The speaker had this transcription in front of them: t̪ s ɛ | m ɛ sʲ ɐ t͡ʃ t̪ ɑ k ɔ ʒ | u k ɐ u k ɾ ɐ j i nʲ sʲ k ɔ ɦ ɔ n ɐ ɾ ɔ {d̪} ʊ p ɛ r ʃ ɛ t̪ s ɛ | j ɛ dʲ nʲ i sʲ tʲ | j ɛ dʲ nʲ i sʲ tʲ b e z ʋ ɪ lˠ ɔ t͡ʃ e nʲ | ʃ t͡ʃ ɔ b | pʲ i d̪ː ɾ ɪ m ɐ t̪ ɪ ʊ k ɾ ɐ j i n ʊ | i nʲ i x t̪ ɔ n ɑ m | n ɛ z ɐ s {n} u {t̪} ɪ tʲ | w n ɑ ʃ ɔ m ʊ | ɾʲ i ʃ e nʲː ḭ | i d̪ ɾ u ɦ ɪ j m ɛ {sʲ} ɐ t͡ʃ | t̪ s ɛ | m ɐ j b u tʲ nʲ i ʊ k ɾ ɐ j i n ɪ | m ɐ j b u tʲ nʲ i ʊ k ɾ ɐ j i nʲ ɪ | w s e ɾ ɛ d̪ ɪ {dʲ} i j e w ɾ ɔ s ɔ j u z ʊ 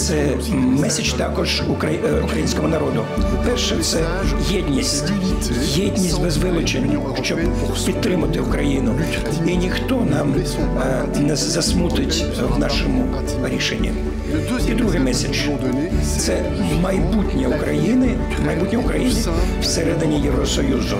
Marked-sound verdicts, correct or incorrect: correct, incorrect, correct, correct, incorrect

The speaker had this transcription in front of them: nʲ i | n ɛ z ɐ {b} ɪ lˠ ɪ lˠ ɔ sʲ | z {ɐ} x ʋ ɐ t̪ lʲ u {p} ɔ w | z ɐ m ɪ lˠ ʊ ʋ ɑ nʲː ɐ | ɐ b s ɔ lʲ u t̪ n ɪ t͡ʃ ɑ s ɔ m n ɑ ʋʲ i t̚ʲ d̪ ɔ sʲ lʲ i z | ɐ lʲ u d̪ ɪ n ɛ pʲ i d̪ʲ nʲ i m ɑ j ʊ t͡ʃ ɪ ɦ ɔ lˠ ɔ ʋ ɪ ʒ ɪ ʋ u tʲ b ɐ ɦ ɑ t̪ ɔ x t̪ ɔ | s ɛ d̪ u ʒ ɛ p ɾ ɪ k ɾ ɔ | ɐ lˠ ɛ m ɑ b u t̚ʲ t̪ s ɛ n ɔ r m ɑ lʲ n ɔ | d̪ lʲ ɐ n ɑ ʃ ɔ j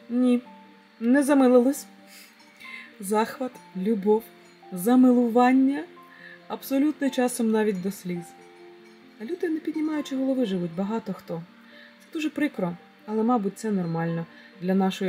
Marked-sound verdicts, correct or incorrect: incorrect, incorrect, incorrect

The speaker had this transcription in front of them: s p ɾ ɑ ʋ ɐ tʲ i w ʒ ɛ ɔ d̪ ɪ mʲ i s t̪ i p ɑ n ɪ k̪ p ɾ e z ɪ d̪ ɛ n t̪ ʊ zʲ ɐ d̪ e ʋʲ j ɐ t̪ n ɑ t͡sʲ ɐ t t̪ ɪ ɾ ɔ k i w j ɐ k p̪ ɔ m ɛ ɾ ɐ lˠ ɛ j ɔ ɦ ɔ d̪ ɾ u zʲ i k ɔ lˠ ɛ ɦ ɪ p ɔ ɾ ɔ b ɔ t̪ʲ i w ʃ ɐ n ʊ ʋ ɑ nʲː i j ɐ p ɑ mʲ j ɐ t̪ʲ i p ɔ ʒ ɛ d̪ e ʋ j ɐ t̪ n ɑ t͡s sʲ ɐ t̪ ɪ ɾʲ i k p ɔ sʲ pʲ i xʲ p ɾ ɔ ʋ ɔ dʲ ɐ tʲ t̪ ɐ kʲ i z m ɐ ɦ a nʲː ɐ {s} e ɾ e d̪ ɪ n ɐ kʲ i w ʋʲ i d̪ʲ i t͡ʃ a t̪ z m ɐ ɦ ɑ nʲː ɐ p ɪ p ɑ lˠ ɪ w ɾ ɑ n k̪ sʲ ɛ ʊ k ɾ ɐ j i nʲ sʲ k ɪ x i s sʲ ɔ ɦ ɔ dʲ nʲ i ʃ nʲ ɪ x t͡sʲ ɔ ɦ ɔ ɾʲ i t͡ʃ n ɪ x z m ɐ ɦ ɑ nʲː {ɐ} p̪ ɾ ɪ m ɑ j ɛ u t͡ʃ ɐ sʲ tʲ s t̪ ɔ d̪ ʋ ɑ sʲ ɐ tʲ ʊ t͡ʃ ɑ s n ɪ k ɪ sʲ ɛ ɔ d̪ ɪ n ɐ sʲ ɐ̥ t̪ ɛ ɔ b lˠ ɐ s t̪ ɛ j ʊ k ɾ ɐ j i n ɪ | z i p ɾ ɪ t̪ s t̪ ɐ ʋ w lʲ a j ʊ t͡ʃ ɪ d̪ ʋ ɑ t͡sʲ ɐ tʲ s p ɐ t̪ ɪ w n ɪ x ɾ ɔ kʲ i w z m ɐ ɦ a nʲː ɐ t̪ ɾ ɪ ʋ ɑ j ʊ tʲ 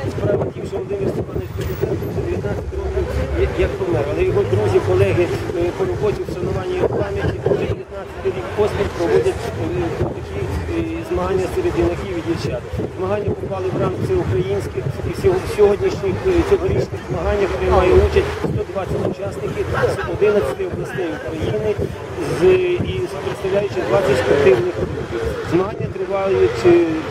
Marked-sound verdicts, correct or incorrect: correct, correct

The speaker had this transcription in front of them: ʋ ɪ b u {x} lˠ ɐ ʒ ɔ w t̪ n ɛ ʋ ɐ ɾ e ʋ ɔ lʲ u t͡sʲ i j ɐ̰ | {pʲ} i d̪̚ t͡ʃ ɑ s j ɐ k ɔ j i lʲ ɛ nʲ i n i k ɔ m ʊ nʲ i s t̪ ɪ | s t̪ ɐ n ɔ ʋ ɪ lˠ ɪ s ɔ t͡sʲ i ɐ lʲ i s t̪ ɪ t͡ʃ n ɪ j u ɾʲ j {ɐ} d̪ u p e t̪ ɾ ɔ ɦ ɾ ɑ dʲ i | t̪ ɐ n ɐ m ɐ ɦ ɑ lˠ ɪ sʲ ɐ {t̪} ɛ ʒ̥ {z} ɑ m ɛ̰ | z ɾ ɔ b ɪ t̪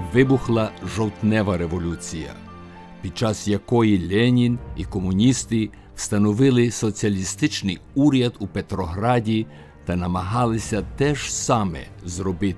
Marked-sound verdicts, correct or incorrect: correct, correct, correct, correct, incorrect

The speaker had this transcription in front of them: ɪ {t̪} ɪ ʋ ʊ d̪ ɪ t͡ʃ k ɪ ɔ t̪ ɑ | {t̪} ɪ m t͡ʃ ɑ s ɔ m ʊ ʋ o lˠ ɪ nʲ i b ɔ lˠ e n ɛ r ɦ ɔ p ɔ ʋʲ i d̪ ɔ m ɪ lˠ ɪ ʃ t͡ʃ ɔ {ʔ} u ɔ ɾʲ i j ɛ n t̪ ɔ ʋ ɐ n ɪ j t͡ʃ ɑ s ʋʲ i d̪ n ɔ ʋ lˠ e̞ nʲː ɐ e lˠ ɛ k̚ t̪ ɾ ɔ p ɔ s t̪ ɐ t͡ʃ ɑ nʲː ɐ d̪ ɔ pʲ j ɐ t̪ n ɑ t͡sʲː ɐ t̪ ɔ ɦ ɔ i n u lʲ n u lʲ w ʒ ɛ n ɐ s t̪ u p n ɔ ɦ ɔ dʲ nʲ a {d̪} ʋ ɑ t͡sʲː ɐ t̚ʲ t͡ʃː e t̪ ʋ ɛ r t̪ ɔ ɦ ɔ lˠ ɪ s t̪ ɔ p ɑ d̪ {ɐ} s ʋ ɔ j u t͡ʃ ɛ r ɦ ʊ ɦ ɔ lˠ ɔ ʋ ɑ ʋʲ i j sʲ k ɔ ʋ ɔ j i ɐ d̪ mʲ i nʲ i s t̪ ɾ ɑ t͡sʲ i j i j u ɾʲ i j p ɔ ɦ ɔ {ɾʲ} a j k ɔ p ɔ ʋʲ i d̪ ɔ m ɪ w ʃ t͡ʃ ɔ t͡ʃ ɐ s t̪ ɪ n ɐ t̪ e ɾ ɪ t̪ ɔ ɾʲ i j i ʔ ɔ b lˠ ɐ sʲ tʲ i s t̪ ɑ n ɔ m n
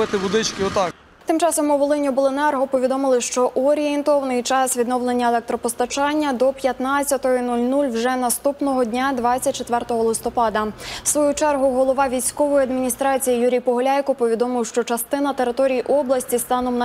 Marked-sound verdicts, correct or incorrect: correct, correct, correct, correct, correct, incorrect

